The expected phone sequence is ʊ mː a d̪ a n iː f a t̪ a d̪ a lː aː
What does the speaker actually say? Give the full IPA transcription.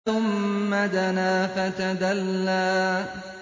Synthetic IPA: ʊ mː a d̪ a n aː f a t̪ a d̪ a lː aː

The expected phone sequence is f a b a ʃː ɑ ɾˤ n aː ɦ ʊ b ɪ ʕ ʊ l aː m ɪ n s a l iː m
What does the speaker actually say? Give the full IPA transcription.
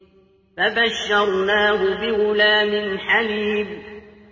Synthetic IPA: f a b a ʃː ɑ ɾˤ n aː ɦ ʊ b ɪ ɣ ʊ l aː m ɪ n ħ a l iː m

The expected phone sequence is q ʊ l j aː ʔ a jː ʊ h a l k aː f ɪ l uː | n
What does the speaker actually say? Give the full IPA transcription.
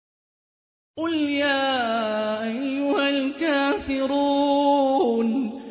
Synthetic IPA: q ʊ l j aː ʔ a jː ʊ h a l k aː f ɪ ɾ uː | n

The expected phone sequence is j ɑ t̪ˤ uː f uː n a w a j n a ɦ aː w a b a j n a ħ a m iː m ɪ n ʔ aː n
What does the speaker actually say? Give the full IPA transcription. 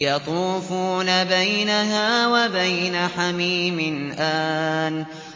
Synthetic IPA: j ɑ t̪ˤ uː f uː n a b a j n a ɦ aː w a b a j n a ħ a m iː m ɪ n ʔ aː n

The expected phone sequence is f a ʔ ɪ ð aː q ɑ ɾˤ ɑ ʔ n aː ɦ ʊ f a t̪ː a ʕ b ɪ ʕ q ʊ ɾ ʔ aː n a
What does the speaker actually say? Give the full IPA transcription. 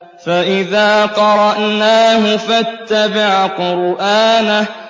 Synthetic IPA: f a ʔ ɪ ð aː q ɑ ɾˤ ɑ ʔ n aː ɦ ʊ f a t̪ː a b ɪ ʕ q ʊ ɾ ʔ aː n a

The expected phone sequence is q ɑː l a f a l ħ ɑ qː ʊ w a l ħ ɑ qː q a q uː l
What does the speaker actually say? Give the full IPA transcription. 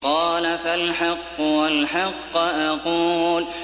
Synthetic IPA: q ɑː l a f a l ħ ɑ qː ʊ w a l ħ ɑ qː ʔ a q uː l

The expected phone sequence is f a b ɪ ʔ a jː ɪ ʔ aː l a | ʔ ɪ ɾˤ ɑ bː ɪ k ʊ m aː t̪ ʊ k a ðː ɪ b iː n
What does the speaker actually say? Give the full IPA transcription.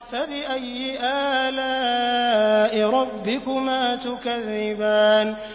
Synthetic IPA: f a b ɪ ʔ a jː ɪ ʔ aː l a | ʔ ɪ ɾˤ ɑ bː ɪ k ʊ m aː t̪ ʊ k a ðː ɪ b aː n

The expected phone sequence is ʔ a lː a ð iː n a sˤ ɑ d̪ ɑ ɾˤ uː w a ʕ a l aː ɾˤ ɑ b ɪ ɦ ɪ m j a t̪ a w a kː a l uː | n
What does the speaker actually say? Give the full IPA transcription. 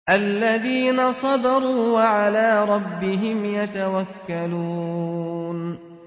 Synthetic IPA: ʔ a lː a ð iː n a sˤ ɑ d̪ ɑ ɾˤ uː w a ʕ a l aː ɾˤ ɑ bː ɪ ɦ ɪ m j a t̪ a w a kː a l uː | n

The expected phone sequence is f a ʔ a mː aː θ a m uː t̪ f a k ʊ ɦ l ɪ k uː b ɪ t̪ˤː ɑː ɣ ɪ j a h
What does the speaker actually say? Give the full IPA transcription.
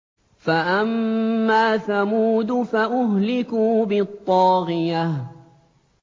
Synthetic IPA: f a ʔ a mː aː θ a m uː d̪ f a ʔ ʊ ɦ l ɪ k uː b ɪ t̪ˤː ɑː ɣ ɪ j a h

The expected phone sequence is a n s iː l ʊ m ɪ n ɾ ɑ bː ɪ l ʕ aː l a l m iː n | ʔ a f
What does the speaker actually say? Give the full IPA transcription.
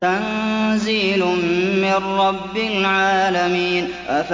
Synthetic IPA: a n z iː l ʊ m ɪ n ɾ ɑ bː ɪ l ʕ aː l a m iː n | ʔ a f

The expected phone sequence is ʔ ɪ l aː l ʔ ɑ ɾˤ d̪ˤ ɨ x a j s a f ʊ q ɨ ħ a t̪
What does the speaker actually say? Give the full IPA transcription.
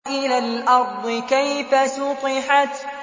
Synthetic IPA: ʔ ɪ l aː l ʔ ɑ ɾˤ d̪ˤ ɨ k a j f a s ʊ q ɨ ħ a t̪

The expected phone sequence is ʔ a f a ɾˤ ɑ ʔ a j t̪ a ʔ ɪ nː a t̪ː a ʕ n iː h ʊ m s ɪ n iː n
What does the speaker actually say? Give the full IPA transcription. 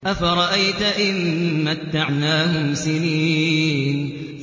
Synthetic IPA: ʔ a f a ɾˤ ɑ ʔ a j t̪ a ʔ ɪ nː a t̪ː a ʕ n aː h ʊ m s ɪ n iː n

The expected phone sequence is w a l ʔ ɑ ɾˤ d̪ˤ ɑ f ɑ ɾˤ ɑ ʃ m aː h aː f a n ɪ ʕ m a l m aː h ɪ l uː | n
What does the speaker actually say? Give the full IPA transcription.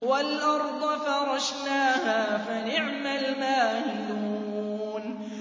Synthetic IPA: w a l ʔ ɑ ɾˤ d̪ˤ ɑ f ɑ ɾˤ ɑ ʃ n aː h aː f a n ɪ ʕ m a l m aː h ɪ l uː | n

